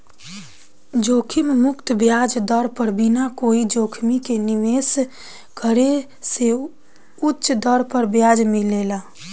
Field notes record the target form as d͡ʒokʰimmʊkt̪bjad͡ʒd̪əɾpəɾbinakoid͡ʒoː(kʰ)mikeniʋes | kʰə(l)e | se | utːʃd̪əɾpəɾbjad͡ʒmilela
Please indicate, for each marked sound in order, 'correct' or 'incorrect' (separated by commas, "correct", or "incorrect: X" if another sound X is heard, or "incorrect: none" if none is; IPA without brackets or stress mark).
correct, incorrect: ɾ